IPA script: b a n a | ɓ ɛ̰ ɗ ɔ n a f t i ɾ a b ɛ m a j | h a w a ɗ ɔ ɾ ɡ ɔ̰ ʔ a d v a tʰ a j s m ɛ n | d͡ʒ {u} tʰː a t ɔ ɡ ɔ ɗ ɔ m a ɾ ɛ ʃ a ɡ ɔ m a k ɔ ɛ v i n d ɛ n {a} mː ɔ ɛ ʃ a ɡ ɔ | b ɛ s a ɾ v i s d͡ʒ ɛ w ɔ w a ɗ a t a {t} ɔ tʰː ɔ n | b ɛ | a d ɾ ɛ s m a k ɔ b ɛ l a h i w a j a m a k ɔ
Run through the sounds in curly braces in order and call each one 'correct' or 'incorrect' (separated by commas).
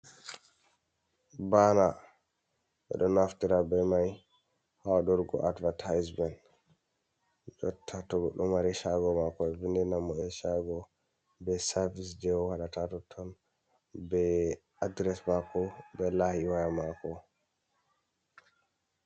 incorrect, correct, correct